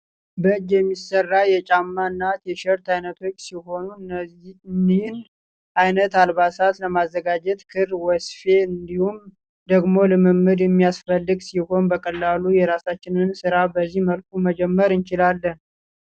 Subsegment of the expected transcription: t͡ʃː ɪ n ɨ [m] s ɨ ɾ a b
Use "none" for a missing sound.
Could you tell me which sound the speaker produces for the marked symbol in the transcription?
n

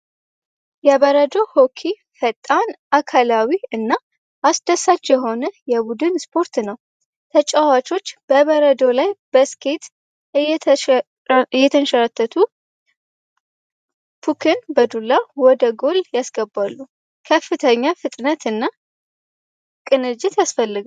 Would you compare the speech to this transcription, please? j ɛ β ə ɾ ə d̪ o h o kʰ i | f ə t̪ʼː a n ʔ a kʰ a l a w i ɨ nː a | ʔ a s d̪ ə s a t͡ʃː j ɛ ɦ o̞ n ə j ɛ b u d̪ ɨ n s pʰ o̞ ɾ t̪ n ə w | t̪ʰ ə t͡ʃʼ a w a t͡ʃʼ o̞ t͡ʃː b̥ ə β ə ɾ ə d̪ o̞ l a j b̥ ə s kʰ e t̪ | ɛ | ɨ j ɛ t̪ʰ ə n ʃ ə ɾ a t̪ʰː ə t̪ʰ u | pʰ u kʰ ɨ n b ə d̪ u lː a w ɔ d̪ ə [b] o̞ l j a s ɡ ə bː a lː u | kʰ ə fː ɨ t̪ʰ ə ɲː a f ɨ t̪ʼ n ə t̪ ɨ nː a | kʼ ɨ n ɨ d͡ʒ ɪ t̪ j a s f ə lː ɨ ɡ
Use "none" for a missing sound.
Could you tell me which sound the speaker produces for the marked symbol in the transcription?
ɡ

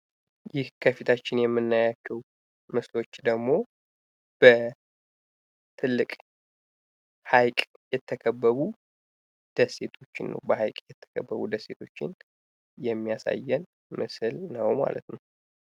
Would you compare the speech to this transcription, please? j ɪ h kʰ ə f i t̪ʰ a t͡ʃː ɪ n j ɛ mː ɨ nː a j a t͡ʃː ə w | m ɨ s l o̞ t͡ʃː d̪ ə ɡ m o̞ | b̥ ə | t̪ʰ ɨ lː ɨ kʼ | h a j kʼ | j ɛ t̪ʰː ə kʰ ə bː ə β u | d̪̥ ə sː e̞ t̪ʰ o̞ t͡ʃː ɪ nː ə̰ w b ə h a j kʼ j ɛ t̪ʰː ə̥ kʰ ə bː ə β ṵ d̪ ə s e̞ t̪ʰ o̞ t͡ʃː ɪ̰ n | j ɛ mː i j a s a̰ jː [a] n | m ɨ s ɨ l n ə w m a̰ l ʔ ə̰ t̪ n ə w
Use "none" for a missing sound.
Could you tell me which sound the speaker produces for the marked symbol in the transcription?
ɛ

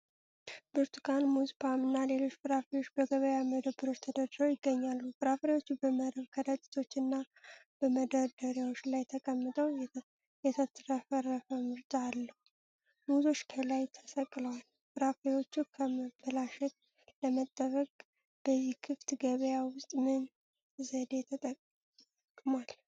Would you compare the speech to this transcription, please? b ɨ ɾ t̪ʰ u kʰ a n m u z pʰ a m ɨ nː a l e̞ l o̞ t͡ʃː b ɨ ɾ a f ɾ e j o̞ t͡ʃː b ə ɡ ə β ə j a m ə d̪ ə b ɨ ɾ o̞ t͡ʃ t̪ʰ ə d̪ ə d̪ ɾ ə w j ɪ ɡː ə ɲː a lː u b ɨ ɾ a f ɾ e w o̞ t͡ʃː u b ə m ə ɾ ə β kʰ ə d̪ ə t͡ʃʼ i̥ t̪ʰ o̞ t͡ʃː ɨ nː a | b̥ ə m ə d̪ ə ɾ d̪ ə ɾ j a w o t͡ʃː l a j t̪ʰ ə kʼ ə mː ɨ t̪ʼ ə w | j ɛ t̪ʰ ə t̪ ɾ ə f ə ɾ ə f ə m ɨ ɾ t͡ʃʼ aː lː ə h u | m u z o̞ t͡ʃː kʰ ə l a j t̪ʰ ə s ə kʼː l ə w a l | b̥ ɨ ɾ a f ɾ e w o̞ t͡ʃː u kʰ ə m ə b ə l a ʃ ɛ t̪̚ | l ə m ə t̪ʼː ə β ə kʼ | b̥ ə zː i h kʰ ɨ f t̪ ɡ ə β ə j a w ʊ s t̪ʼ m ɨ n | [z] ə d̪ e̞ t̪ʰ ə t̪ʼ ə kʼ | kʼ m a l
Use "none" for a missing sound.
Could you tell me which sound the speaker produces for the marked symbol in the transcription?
z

